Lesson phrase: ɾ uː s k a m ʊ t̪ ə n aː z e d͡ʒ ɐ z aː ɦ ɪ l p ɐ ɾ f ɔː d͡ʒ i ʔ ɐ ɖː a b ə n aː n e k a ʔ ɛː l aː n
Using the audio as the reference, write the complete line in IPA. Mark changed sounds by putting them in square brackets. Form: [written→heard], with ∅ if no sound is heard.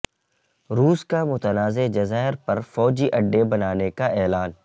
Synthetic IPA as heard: ɾ uː s k a m ʊ t̪ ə n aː z e d͡ʒ ɐ z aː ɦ ɪ [l→ɾ] p ɐ ɾ f ɔː d͡ʒ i ʔ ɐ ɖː [a→e] b [ə→ɐ] n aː n e k a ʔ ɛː l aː n